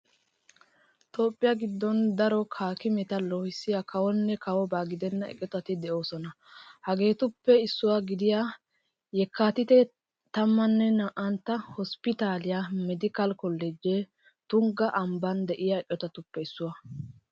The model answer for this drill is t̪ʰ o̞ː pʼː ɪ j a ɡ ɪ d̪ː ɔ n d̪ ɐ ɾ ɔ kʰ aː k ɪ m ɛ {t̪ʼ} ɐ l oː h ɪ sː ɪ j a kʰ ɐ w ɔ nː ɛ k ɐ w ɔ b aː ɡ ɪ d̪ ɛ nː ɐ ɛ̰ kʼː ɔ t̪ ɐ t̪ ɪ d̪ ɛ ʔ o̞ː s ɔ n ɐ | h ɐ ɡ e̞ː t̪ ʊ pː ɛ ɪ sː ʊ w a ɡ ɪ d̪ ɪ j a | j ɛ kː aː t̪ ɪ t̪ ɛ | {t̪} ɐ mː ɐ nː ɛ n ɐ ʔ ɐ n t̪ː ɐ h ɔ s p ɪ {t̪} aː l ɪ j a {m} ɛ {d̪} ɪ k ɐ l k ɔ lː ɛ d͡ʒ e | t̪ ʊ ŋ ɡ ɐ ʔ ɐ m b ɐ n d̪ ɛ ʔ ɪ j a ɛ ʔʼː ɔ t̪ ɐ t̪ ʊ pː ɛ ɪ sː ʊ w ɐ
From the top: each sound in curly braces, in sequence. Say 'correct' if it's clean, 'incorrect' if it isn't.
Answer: incorrect: t̪, correct, correct, correct, correct

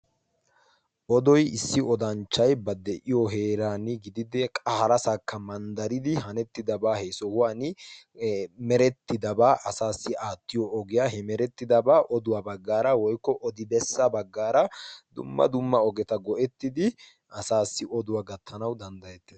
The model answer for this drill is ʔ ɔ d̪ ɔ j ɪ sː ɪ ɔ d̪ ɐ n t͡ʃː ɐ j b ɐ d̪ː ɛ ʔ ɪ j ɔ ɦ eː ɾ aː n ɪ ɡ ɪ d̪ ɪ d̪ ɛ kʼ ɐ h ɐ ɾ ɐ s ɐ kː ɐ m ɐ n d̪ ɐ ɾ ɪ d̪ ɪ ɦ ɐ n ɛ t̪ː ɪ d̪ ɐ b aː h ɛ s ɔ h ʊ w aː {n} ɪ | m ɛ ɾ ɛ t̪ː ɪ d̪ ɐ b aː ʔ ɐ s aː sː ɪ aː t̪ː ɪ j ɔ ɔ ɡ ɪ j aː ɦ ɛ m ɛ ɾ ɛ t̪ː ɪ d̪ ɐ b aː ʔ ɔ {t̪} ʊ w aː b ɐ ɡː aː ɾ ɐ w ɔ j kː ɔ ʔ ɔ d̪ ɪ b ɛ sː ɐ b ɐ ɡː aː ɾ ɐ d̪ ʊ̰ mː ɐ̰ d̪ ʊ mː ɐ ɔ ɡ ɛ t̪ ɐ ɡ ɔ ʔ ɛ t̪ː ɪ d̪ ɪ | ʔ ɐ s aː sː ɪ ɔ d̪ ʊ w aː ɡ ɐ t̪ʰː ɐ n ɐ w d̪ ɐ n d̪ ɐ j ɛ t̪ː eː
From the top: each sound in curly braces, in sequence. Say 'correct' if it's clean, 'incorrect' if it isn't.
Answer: correct, incorrect: d̪

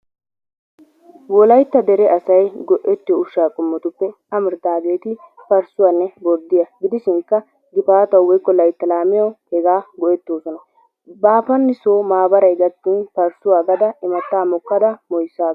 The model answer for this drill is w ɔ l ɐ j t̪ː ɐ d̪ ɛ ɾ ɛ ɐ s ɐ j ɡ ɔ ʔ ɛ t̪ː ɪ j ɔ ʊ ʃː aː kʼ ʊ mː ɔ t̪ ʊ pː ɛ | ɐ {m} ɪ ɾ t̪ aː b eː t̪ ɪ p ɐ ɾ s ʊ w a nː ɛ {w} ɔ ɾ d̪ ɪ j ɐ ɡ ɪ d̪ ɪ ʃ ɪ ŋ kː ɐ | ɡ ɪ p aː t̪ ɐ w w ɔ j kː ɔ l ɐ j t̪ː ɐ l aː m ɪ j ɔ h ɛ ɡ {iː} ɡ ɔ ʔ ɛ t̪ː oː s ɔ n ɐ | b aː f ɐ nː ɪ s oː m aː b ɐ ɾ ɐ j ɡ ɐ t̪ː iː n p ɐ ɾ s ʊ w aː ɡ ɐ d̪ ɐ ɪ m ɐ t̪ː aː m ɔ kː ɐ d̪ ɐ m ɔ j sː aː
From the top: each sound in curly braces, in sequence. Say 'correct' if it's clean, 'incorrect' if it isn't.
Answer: correct, incorrect: b, incorrect: aː

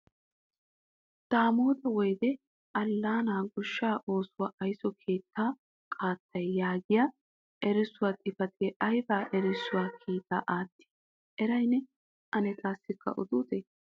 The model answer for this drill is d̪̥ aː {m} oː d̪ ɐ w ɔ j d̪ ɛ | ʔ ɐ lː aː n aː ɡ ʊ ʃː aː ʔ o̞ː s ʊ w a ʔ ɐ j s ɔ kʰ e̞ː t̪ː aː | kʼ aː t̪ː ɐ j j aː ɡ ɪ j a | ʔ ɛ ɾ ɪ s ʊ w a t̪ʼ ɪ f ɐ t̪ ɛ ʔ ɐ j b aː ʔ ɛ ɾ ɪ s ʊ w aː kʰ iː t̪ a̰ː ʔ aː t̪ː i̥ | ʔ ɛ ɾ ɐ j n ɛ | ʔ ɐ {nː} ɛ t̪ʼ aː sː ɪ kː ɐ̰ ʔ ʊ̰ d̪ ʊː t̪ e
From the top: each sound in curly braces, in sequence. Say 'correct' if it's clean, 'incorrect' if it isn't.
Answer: correct, incorrect: n

